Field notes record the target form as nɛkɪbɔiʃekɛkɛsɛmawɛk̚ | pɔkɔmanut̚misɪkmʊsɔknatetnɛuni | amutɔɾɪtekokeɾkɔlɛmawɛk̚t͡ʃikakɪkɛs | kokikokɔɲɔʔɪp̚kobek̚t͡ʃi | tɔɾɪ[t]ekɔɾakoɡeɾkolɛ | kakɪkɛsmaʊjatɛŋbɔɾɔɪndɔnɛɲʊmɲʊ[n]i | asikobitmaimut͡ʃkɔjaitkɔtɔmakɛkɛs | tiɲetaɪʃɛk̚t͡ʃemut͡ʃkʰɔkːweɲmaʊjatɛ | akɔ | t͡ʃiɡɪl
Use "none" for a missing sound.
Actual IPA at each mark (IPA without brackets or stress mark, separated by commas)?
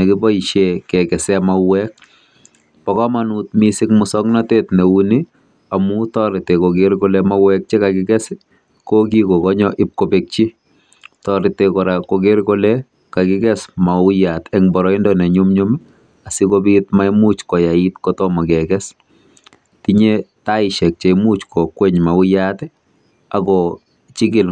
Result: t, m